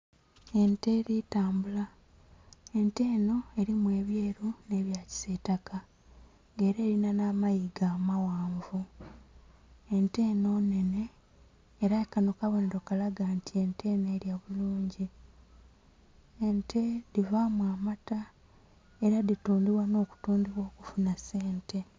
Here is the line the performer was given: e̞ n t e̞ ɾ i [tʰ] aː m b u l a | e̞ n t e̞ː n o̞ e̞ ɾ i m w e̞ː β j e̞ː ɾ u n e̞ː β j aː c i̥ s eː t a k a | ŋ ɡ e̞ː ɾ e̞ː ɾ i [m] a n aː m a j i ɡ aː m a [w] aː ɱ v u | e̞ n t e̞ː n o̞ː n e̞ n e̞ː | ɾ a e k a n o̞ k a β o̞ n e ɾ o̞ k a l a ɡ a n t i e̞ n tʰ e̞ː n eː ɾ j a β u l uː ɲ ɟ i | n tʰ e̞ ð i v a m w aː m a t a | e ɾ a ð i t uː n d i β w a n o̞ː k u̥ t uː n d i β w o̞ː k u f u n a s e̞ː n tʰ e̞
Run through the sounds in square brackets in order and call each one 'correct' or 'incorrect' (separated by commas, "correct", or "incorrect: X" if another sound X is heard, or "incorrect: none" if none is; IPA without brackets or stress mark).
incorrect: t, incorrect: n, correct